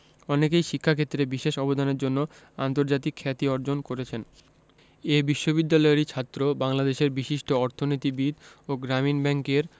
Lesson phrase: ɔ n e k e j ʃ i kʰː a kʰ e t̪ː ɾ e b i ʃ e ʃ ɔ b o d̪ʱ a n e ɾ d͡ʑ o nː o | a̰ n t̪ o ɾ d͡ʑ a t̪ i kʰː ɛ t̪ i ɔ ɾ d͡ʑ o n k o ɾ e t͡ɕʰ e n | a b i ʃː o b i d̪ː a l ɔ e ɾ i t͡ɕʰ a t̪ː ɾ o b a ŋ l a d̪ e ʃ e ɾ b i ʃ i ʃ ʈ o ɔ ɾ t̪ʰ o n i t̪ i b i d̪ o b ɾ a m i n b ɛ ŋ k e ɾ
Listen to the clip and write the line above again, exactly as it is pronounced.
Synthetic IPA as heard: ɔ n e k e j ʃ i kʰː a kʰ e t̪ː ɾ e b i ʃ e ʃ ɔ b o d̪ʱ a n e ɾ d͡ʑ o nː o | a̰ n t̪ o ɾ d͡ʑ a t̪ i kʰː ɛ t̪ i ɔ ɾ d͡ʑ o n k o ɾ e t͡ɕʰ e n | e b i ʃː o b i d̪ː a l ɔ e ɾ i t͡ɕʰ a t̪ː ɾ o b a ŋ l a d̪ e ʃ e ɾ b i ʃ i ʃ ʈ o ɔ ɾ t̪ʰ o n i t̪ i b i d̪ o ɡ ɾ a m i n b ɛ ŋ k e ɾ